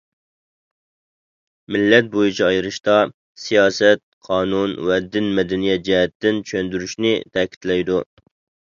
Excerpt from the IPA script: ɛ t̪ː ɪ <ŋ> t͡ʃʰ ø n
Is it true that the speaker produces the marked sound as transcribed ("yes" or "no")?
no